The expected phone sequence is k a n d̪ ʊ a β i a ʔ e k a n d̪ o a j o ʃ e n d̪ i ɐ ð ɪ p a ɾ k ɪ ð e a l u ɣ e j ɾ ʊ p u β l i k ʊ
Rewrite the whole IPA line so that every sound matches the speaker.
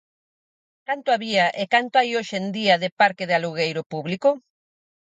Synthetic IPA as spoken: k a n t̪ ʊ a β i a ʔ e k a n t̪ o a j o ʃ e n d̪ i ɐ ð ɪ p a ɾ k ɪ ð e a l u ɣ e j ɾ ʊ p u β l i k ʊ